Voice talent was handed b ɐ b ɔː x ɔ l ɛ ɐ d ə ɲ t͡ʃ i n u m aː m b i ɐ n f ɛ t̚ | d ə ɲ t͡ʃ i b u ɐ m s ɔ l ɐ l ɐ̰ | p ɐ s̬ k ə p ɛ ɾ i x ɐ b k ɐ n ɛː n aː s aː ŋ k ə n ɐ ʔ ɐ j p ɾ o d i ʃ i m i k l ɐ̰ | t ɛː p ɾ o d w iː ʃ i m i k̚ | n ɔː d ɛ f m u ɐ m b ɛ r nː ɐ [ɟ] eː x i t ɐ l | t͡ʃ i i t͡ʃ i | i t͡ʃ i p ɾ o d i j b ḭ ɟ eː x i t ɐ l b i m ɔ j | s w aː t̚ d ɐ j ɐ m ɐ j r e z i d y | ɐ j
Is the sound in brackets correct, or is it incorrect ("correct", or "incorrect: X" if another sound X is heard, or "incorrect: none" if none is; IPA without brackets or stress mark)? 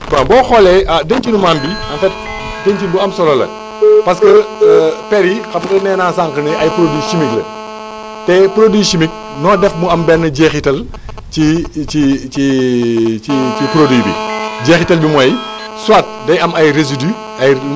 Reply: correct